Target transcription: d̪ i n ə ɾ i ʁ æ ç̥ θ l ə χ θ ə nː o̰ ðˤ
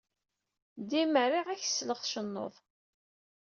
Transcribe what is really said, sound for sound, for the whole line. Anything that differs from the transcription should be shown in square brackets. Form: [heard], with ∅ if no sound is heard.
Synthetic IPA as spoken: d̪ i [m] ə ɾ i ʁ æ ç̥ [s] l ə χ [ʃ] ə nː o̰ ðˤ